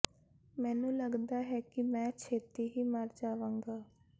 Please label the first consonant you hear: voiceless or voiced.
voiced